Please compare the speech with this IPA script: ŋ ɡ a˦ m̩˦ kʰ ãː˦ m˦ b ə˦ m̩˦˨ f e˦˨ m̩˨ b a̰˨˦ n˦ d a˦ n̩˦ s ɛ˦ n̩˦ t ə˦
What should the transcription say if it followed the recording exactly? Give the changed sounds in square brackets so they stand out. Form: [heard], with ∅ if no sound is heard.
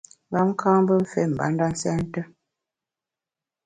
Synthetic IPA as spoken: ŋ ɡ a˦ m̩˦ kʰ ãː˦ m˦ b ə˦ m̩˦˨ f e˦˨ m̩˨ b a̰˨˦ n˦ d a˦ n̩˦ s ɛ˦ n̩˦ t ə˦